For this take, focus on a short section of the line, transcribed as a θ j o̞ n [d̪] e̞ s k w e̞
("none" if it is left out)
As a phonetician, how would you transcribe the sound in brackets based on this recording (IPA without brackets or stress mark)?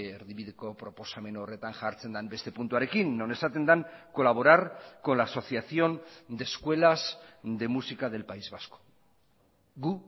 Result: d̪